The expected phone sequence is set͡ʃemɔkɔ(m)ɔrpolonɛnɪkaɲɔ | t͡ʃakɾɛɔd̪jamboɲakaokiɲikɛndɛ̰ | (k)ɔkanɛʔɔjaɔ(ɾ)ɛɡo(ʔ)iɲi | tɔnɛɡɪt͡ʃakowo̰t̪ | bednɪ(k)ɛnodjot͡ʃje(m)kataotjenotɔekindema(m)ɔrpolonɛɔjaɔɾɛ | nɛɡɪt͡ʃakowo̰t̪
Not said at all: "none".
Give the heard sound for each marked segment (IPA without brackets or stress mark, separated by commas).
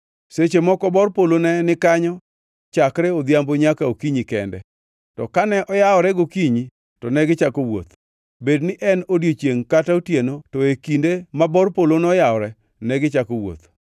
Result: b, t, ɾ, k, ʔ, ŋ, b